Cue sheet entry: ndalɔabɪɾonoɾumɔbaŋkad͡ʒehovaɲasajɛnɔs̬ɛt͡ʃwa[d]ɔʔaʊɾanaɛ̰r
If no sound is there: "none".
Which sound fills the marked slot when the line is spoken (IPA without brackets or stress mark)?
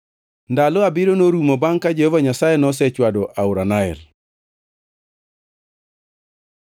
d